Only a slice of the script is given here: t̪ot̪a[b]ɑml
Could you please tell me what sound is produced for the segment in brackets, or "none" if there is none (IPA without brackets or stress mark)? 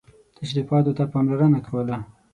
p